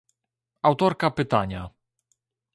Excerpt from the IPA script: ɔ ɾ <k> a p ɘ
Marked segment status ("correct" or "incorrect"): correct